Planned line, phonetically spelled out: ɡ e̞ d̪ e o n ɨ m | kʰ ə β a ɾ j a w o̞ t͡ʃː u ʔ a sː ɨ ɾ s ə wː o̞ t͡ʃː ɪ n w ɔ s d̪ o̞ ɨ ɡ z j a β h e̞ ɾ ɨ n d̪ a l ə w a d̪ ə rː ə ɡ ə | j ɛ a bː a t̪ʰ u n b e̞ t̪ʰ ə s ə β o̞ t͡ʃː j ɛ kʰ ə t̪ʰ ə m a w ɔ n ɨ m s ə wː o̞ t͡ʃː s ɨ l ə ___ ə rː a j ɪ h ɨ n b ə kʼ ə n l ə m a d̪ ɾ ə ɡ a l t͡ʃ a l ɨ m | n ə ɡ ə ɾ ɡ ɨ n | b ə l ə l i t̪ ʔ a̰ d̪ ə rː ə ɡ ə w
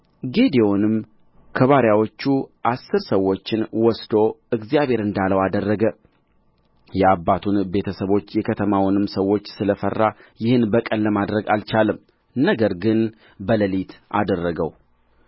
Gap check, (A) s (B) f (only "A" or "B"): B